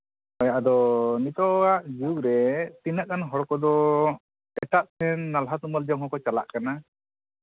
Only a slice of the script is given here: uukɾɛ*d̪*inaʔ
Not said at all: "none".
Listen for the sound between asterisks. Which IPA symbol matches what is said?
t̪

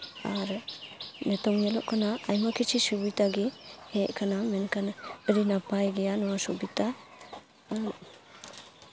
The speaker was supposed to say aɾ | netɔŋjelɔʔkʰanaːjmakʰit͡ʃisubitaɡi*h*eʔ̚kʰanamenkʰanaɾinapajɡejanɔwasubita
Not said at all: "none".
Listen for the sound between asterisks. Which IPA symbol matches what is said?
h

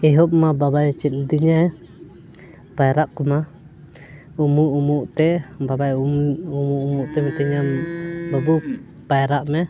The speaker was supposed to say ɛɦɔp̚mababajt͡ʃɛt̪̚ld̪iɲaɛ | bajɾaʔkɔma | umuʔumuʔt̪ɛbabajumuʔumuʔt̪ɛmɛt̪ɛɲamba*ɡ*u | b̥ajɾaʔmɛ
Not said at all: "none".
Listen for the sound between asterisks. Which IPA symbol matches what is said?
b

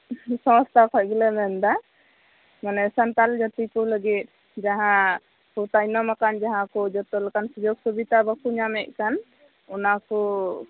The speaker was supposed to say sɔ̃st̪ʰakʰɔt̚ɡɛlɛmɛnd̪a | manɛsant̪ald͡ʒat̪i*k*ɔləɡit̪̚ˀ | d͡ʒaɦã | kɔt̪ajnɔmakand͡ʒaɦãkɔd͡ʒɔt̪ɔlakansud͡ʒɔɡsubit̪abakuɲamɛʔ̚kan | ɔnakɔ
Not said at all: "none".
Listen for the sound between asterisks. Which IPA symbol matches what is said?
k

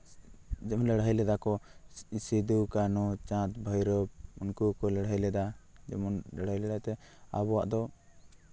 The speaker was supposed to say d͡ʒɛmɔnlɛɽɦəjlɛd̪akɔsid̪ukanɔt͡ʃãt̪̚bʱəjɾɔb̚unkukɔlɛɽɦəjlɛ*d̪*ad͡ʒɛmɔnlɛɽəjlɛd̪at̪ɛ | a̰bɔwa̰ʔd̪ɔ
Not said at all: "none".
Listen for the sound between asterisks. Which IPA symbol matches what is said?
d̪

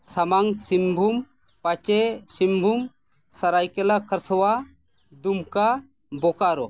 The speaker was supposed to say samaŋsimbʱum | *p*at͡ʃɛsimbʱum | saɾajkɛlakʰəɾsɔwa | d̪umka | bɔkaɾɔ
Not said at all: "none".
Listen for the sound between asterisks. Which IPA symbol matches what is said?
p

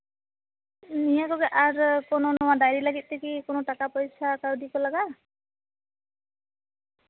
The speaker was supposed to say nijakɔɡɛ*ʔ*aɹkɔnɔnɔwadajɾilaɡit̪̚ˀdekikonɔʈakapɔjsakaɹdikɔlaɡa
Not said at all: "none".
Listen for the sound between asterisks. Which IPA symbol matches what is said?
ʔ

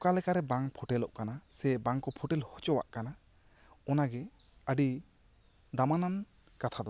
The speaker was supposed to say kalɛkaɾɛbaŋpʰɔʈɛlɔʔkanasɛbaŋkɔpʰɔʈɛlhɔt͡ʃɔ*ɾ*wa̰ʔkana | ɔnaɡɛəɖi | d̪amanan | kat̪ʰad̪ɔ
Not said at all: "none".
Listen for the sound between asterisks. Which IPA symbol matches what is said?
none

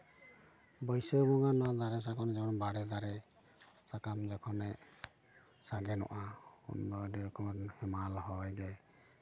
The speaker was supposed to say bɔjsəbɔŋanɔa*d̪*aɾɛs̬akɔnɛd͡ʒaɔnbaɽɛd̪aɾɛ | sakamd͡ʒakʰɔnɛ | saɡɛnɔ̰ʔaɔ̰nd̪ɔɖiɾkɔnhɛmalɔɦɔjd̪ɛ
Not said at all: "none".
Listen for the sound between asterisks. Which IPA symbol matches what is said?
d̪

